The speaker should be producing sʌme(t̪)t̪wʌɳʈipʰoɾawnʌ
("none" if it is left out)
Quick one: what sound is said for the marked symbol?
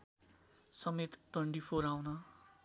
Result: t̪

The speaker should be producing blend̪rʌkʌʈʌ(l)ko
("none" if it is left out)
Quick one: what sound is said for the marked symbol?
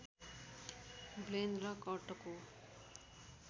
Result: none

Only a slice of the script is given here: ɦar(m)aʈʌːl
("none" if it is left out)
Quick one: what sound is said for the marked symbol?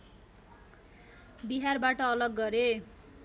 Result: b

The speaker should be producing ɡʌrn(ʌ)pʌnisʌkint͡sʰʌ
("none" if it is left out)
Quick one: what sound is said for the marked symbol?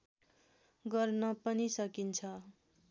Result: ʌ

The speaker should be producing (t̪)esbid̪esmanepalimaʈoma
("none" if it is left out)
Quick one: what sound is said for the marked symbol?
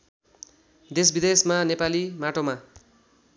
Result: d̪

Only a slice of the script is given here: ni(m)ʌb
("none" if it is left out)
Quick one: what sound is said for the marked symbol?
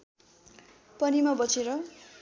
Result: m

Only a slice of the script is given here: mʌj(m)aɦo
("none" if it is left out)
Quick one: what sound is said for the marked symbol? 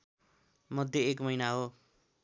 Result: n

